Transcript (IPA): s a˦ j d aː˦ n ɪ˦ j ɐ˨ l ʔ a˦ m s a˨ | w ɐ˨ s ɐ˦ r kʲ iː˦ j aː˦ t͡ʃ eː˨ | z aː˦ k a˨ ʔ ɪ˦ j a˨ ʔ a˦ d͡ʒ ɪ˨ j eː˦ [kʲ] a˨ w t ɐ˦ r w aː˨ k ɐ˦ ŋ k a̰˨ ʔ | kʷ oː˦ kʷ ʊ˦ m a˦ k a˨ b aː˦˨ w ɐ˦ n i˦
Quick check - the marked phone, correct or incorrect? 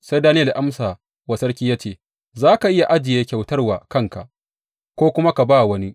correct